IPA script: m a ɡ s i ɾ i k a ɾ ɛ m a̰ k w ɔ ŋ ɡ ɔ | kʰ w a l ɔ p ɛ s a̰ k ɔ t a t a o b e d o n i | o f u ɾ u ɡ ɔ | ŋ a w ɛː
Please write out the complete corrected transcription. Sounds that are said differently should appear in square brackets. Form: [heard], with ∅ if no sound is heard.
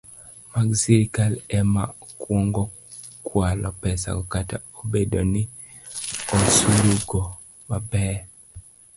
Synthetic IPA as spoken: m a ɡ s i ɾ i k a [l] ɛ m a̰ k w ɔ ŋ ɡ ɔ | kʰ w a l ɔ p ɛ s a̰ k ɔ [k] a t a o b e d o n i | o [s] u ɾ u ɡ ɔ | [m] a [b] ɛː